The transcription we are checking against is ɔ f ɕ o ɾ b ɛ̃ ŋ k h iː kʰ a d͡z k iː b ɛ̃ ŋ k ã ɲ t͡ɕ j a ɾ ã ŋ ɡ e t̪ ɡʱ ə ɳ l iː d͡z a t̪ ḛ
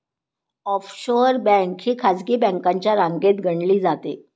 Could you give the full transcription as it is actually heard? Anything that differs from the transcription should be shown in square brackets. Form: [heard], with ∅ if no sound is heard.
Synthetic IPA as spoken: ɔ f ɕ o ɾ b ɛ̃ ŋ k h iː kʰ a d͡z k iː b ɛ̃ ŋ k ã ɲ t͡ɕ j a ɾ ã ŋ ɡ e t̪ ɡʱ ə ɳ l iː d͡z a t̪ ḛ